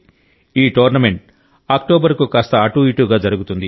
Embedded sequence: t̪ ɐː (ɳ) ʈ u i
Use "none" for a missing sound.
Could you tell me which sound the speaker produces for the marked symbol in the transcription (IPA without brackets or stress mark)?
none